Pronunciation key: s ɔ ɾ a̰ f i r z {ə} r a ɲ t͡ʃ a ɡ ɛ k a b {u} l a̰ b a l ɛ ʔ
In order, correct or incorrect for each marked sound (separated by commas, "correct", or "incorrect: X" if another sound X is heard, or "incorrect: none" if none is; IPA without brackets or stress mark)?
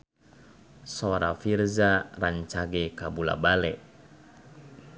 incorrect: a, correct